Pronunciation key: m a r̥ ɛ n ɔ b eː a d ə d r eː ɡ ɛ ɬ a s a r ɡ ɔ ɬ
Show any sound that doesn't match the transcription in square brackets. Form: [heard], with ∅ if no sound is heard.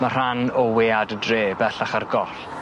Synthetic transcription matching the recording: m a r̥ [a] n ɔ [w] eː a d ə d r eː [b] ɛ ɬ a [χ] a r ɡ ɔ ɬ